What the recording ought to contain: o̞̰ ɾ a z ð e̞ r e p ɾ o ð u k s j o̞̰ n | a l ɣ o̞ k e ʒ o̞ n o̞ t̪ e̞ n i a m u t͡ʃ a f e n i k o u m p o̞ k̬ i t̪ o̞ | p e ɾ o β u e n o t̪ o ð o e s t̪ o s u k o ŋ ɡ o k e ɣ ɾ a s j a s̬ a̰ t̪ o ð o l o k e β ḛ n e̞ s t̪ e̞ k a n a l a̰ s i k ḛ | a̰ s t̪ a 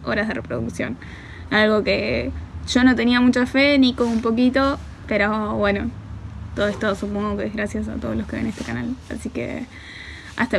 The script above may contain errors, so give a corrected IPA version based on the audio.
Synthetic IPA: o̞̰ ɾ a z ð e̞ r e p ɾ o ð u k s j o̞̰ n | a l ɣ o̞ k e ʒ o̞ n o̞ t̪ e̞ n i a m u t͡ʃ a f e n i k o u m p o̞ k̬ i t̪ o̞ | p e ɾ o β w e n o t̪ o ð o e s t̪ o s u p o ŋ ɡ o k e ɣ ɾ a s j a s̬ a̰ t̪ o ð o l o k e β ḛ n e̞ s t̪ e̞ k a n a l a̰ s i k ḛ | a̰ s t̪ a

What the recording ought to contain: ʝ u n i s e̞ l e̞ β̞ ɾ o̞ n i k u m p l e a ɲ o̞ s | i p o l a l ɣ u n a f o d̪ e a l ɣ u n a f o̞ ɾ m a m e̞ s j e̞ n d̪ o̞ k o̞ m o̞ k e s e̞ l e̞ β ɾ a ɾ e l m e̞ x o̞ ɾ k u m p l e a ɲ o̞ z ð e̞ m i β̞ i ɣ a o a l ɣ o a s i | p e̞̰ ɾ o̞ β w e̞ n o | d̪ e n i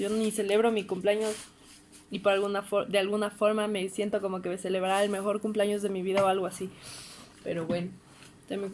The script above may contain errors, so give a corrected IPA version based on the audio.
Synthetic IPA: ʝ o n i s e̞ l e̞ β̞ ɾ o̞ m i k u m p l e a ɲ o̞ s | i p o ɾ a l ɣ u n a f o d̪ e a l ɣ u n a f o̞ ɾ m a m e̞ s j e̞ n t̪ o̞ k o̞ m o̞ k e s e̞ l e̞ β ɾ a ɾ e l m e̞ x o̞ ɾ k u m p l e a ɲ o̞ z ð e̞ m i β̞ i ð a o a l ɣ o a s i | p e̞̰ ɾ o̞ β w e̞ n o | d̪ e m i

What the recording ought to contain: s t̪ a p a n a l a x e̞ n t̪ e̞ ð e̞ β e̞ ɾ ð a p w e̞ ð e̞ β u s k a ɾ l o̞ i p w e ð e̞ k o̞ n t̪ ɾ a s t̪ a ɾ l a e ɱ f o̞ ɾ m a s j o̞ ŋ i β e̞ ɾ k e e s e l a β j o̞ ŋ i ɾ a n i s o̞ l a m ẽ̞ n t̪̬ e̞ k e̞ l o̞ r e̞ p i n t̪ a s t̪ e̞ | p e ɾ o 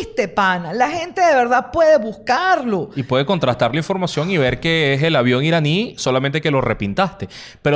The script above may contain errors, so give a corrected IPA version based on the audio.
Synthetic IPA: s t̪ e p a n a l a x e̞ n t̪ e̞ ð e̞ β e̞ ɾ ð a p w e̞ ð e̞ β u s k a ɾ l o̞ i p w e ð e̞ k o̞ n t̪ ɾ a s t̪ a ɾ l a i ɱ f o̞ ɾ m a s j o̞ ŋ i β e̞ ɾ k e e s e l a β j o̞ ŋ i ɾ a n i s o̞ l a m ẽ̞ n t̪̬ e̞ k e̞ l o̞ r e̞ p i n t̪ a s t̪ e̞ | p e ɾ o

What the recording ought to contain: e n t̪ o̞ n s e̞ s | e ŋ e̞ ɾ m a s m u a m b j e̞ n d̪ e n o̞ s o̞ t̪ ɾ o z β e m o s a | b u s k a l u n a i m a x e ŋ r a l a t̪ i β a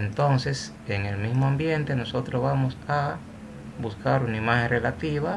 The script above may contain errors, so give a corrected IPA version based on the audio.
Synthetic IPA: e n t̪ o̞ n s e̞ s | e ŋ e̞ l m i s m o a m b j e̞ n t̪ e n o̞ s o̞ t̪ ɾ o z β a m o s a | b u s k a ɾ u n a i m a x e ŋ r e l a t̪ i β a

